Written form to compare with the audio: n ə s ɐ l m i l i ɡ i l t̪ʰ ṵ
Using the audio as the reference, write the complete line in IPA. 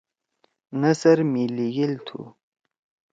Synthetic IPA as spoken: n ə s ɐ ɾ m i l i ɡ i l t̪ʰ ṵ